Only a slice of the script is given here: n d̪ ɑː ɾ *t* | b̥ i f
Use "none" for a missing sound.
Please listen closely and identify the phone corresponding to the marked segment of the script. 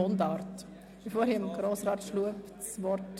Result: t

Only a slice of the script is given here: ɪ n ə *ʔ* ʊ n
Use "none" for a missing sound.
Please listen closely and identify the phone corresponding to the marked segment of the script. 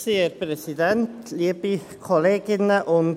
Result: ʔ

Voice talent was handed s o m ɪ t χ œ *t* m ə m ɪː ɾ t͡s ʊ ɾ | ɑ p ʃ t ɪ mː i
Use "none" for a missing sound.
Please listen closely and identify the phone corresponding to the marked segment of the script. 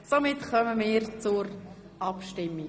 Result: none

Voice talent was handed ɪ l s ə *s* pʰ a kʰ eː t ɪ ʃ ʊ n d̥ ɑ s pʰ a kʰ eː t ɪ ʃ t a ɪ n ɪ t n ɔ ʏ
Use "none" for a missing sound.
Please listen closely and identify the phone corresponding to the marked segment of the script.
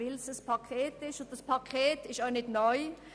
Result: s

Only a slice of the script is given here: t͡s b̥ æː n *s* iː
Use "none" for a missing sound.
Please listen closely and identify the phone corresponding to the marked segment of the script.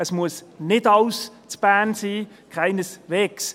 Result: s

